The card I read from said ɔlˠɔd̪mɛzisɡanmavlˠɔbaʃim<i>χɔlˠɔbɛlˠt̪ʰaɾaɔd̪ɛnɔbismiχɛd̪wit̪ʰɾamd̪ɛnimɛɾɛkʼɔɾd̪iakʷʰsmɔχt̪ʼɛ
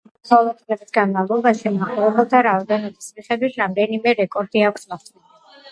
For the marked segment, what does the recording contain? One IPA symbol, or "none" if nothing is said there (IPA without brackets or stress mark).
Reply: a